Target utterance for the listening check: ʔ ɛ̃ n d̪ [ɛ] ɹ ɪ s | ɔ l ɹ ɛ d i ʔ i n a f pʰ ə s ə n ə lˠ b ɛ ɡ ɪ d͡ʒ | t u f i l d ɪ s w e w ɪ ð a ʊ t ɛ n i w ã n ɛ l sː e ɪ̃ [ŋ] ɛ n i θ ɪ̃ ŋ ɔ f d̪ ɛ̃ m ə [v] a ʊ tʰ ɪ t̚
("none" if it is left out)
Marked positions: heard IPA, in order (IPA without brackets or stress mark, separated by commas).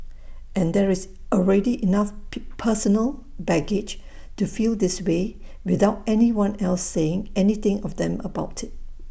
ɛ, ŋ, b